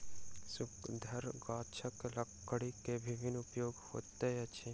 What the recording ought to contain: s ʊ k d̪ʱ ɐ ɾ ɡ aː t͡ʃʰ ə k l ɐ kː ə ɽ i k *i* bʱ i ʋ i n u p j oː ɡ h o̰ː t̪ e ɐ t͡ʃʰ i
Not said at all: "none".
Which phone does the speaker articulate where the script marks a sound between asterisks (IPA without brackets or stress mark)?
e